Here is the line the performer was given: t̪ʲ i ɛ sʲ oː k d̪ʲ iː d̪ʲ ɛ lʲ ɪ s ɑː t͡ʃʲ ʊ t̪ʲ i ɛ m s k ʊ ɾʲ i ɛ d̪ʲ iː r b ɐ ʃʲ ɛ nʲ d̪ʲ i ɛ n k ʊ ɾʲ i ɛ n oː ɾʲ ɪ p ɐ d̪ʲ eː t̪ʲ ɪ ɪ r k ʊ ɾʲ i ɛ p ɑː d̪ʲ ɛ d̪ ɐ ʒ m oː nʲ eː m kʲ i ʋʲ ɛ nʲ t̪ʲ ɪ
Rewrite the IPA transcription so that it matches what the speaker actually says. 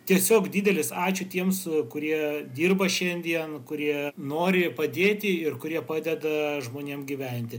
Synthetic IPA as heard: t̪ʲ i ɛ sʲ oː k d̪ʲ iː d̪ʲ ɛ lʲ ɪ s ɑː t͡ʃʲ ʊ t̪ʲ i ɛ m s k ʊ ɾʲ i ɛ d̪ʲ iː r b ɐ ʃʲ ɛ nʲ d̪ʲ i ɛ n k ʊ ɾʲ i ɛ n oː ɾʲ ɪ p ɐ d̪ʲ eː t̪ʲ ɪ ɪ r k ʊ ɾʲ i ɛ p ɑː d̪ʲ ɛ d̪ ɐ ʒ m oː nʲ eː m ɡʲ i ʋʲ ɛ nʲ t̪ʲ ɪ

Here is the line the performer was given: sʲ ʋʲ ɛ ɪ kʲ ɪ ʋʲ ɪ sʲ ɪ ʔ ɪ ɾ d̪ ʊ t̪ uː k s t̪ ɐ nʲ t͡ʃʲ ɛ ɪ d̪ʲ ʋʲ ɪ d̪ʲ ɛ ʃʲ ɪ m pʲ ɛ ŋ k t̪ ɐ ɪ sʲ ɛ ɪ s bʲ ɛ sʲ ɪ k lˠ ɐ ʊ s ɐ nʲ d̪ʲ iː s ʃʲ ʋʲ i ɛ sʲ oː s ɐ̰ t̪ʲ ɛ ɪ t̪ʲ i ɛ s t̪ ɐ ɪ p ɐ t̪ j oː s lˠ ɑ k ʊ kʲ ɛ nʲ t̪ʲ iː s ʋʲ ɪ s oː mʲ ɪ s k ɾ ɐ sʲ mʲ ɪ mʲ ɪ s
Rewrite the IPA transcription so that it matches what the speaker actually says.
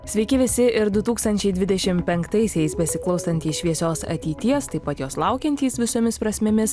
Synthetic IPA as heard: sʲ ʋʲ ɛ ɪ kʲ ɪ ʋʲ ɪ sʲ ɪ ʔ ɪ ɾ d̪ ʊ t̪ uː k s t̪ ɐ nʲ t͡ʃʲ ɛ ɪ d̪ʲ ʋʲ ɪ d̪ʲ ɛ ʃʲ ɪ m pʲ ɛ ŋ k t̪ ɐ ɪ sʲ ɛ ɪ s bʲ ɛ sʲ ɪ k lˠ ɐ ʊ s ɐ nʲ t̪ʲ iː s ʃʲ ʋʲ i ɛ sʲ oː s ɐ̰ t̪ʲ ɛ ɪ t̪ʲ i ɛ s t̪ ɐ ɪ p ɐ t̪ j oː s lˠ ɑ ʊ kʲ ɛ nʲ t̪ʲ iː s ʋʲ ɪ s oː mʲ ɪ s p ɾ ɐ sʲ mʲ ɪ mʲ ɪ s

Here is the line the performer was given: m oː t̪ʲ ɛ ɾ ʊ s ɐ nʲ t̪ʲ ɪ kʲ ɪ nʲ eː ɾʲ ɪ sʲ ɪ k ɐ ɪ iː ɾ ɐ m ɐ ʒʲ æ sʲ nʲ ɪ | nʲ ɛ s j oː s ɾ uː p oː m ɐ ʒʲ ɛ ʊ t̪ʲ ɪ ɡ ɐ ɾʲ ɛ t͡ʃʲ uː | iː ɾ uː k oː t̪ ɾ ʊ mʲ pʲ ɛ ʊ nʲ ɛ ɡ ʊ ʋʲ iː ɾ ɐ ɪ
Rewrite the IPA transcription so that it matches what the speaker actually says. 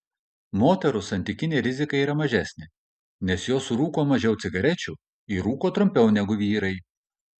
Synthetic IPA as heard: m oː t̪ʲ ɛ ɾ ʊ s ɐ nʲ t̪ʲ ɪ kʲ ɪ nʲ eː ɾʲ ɪ zʲ ɪ k ɐ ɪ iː ɾ ɐ m ɐ ʒʲ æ sʲ nʲ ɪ | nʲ ɛ s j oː s ɾ uː k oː m ɐ ʒʲ ɛ ʊ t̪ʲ ɪ ɡ ɐ ɾʲ ɛ t͡ʃʲ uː | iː ɾ uː k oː t̪ ɾ ʊ mʲ pʲ ɛ ʊ nʲ ɛ ɡ ʊ ʋʲ iː ɾ ɐ ɪ

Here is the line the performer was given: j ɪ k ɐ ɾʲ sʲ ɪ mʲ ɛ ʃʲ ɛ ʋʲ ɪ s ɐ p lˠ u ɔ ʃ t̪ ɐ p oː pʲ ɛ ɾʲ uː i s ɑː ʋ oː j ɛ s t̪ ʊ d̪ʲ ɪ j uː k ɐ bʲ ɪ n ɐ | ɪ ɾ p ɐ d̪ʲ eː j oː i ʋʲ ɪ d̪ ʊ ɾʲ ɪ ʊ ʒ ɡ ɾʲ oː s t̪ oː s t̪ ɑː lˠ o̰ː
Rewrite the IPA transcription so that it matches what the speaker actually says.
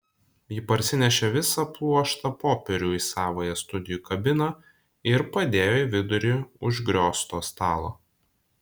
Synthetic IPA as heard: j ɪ p ɐ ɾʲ sʲ ɪ nʲ ɛ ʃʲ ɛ ʋʲ ɪ s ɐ p lˠ u ɔ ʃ t̪ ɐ p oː pʲ ɛ ɾʲ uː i s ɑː ʋ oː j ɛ s t̪ ʊ d̪ʲ ɪ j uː k ɐ bʲ ɪ n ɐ | ɪ ɾ p ɐ d̪ʲ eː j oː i ʋʲ ɪ d̪ ʊ ɾʲ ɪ ʊ ʒ ɡ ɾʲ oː s t̪ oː s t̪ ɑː lˠ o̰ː

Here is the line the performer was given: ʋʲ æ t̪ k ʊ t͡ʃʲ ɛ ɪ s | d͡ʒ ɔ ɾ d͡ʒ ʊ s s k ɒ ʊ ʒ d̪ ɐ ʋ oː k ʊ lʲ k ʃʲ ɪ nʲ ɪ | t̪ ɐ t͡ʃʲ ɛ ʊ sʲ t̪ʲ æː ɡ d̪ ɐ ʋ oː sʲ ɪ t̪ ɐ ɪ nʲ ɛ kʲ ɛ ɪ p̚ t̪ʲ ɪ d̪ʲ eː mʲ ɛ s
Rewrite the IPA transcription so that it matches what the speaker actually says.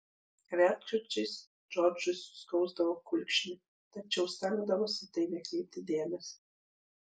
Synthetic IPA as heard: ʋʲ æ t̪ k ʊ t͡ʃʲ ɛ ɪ s | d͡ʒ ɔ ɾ d͡ʒ ʊ s s k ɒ ʊ z d̪ ɐ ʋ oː k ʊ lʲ k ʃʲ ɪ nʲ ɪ | t̪ ɐ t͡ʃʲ ɛ ʊ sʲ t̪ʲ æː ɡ d̪ ɐ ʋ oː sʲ ɪ t̪ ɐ ɪ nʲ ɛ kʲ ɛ ɪ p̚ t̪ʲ ɪ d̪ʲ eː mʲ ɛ s

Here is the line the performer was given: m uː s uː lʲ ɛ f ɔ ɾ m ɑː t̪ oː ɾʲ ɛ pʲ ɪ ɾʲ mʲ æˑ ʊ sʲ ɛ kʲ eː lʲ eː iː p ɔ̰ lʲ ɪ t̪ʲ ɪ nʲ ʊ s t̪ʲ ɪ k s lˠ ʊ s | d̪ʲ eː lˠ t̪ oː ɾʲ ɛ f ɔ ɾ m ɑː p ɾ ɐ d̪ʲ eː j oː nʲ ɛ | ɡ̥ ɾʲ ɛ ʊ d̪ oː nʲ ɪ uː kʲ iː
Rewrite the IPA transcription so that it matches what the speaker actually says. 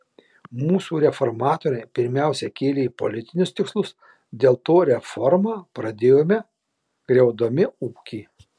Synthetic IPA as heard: m uː s uː ɾʲ ɛ f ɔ ɾ m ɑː t̪ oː ɾʲ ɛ pʲ ɪ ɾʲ mʲ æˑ ʊ sʲ ɛ kʲ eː lʲ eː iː p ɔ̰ lʲ ɪ t̪ʲ ɪ nʲ ʊ s t̪ʲ ɪ k s lˠ ʊ s | d̪ʲ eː lˠ t̪ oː ɾʲ ɛ f ɔ ɾ m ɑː p ɾ ɐ d̪ʲ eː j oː mʲ ɛ | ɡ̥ ɾʲ ɛ ʊ d̪ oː mʲ ɪ uː kʲ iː

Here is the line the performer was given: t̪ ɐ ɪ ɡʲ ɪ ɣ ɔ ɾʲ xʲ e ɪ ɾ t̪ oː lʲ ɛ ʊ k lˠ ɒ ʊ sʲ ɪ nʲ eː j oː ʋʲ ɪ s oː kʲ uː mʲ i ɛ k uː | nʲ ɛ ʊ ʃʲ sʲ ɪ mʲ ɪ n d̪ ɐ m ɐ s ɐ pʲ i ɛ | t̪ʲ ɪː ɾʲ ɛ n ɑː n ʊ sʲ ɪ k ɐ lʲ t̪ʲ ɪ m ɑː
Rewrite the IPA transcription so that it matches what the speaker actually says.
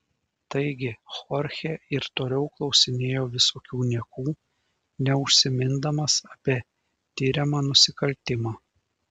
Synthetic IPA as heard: t̪ ɐ ɪ ɡʲ ɪ x ɔ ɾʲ xʲ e ɪ ɾ t̪ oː lʲ ɛ ʊ k lˠ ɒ ʊ sʲ ɪ nʲ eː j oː ʋʲ ɪ s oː kʲ uː nʲ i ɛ k uː | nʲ ɛ ʊ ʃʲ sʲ ɪ mʲ ɪ n d̪ ɐ m ɐ s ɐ pʲ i ɛ | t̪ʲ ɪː ɾʲ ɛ m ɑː n ʊ sʲ ɪ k ɐ lʲ t̪ʲ ɪ m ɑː

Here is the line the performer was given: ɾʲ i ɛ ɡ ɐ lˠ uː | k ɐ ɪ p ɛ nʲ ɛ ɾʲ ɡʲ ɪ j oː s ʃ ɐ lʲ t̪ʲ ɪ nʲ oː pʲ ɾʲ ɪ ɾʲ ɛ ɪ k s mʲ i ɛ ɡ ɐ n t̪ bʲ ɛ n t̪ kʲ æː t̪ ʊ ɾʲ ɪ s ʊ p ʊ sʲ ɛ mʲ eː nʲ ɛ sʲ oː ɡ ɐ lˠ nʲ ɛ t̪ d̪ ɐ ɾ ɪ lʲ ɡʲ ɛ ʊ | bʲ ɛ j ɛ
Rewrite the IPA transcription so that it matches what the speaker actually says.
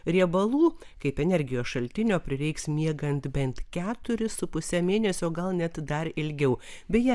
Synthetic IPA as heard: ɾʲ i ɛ b ɐ lˠ uː | k ɐ ɪ p ɛ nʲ ɛ ɾʲ ɡʲ ɪ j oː s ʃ ɐ lʲ t̪ʲ ɪ nʲ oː pʲ ɾʲ ɪ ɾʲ ɛ ɪ k s mʲ i ɛ ɡ ɐ n t̪ bʲ ɛ n t̪ kʲ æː t̪ ʊ ɾʲ ɪ s ʊ p ʊ sʲ ɛ mʲ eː nʲ ɛ sʲ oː ɡ ɐ lˠ nʲ ɛ t̪ d̪ ɐ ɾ ɪ lʲ ɡʲ ɛ ʊ | bʲ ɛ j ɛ

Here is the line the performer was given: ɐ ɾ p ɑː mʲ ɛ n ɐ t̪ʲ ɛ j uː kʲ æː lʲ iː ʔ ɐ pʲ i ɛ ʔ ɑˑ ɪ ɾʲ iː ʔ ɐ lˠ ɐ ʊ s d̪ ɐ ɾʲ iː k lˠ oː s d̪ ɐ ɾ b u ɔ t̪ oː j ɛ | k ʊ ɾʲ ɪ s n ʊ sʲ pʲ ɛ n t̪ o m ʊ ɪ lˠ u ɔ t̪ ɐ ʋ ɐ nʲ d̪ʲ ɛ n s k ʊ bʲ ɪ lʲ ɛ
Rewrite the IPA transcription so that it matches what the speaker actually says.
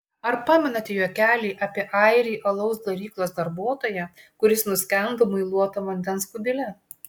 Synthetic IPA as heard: ɐ ɾ p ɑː mʲ ɛ n ɐ t̪ʲ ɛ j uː kʲ æː lʲ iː ʔ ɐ pʲ i ɛ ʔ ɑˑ ɪ ɾʲ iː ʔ ɐ lˠ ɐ ʊ s d̪ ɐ ɾʲ iː k lˠ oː s d̪ ɐ ɾ b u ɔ t̪ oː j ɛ | k ʊ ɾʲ ɪ s n ʊ sʲ kʲ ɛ n d̪ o m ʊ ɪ lˠ u ɔ t̪ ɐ ʋ ɐ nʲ d̪ʲ ɛ n s k ʊ bʲ ɪ lʲ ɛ

